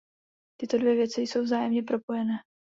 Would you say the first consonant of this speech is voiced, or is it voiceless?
voiceless